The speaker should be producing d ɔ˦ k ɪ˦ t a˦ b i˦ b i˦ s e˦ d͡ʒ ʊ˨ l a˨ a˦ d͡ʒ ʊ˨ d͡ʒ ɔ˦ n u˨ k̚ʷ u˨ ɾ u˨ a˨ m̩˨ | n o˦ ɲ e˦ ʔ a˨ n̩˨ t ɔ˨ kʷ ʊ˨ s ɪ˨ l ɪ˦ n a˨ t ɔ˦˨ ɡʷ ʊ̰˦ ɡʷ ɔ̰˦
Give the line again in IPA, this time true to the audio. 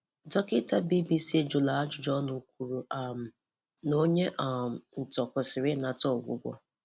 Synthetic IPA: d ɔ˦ k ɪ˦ t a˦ b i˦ b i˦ s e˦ d͡ʒ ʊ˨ l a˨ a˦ d͡ʒ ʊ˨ d͡ʒ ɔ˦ n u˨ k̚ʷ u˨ ɾ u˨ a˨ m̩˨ | n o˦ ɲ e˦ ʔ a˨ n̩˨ t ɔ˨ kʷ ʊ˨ s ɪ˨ ɾ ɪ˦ n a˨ t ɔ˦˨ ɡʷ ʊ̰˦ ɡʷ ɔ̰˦